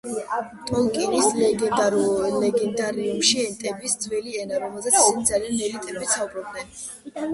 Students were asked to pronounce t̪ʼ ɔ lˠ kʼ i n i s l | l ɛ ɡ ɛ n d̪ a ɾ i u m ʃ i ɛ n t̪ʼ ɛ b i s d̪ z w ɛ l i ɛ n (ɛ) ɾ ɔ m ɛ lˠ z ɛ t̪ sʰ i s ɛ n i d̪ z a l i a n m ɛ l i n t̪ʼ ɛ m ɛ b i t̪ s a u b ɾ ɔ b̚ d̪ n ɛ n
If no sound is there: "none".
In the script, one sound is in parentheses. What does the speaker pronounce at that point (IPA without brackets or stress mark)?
a